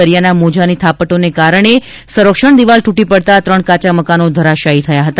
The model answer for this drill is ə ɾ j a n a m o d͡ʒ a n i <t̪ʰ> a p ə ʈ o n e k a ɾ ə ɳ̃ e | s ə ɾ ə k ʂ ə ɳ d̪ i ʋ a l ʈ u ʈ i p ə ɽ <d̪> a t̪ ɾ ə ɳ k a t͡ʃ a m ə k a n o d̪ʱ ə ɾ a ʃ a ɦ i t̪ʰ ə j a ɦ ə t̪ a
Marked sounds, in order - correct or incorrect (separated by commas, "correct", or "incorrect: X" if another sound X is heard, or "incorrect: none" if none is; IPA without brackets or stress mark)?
correct, incorrect: t̪